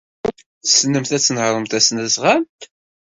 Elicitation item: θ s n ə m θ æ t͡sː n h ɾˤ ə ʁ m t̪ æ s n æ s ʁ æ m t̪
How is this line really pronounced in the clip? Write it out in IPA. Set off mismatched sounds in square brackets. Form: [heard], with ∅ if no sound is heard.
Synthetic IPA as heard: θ s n ə m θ æ t͡sː n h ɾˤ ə [∅] m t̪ æ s n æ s ʁ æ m t̪